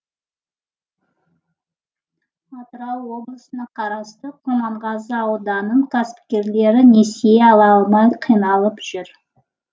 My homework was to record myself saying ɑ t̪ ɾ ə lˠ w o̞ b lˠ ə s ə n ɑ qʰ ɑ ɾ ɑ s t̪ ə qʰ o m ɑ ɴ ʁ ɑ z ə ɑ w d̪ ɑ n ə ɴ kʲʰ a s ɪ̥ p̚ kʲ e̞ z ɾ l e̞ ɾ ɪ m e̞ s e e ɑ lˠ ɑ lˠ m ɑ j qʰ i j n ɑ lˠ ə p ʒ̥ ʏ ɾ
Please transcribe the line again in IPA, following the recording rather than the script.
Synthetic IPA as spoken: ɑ t̪ ɾ ɑ lˠ w o̞ b lˠ ə s ə n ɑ qʰ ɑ ɾ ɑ s t̪ ə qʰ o m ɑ ɴ ʁ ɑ z ə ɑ w d̪ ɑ n ə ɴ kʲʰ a s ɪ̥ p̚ kʲ e̞ ɾ l e̞ ɾ ɪ n e̞ s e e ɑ lˠ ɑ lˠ m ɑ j qʰ i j n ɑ lˠ ə p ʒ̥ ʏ ɾ